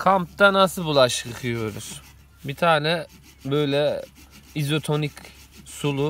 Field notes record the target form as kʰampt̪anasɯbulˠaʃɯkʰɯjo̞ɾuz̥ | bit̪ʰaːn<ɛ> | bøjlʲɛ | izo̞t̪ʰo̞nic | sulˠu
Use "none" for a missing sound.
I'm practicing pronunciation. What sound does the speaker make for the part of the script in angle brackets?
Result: ɛ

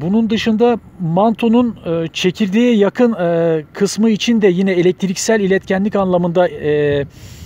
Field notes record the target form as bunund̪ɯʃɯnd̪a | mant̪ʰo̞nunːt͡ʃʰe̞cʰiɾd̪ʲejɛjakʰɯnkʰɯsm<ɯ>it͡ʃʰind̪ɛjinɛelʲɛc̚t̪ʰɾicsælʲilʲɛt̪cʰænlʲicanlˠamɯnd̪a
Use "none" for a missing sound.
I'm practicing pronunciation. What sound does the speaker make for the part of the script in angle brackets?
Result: ɯ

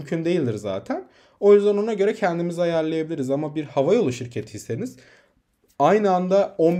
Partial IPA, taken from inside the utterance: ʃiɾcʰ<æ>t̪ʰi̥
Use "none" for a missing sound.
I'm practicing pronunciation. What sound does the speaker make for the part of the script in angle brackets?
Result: e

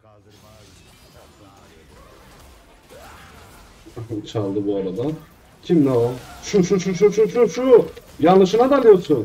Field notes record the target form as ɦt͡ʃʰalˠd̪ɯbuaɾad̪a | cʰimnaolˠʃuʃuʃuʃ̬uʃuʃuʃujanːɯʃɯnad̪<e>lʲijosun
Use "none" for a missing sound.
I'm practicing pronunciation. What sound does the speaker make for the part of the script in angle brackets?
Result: a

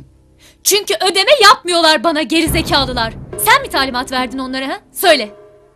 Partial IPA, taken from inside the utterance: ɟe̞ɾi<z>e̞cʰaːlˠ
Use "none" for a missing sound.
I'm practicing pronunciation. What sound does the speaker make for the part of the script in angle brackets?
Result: z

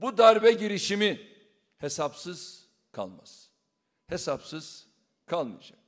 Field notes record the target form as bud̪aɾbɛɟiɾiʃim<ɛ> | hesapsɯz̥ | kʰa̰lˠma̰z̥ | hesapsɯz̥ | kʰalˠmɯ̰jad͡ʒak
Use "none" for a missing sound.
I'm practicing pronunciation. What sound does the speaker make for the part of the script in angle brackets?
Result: i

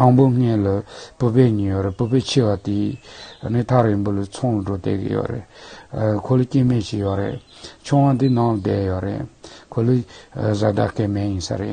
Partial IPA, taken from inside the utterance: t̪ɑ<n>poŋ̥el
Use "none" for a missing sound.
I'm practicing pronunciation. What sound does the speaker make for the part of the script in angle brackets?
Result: ŋ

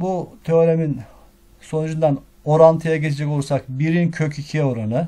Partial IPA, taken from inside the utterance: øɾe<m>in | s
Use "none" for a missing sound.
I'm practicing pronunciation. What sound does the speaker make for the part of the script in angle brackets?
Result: m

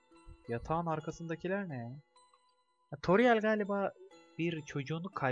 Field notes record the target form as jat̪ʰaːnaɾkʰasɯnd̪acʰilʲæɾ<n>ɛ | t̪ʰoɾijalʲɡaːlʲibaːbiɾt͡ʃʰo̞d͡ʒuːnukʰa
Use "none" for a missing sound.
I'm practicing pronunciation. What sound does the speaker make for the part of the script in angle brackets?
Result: n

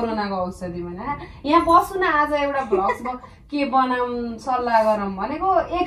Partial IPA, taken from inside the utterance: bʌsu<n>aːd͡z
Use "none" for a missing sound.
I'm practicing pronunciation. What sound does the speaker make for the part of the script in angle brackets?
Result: n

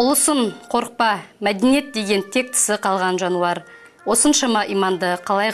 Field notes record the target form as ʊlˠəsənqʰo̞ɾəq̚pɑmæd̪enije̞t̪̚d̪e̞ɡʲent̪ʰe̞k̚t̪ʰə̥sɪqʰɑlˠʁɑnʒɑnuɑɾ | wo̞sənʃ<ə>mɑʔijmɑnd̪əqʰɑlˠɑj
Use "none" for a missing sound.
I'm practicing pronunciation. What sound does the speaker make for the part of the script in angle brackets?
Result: ɑ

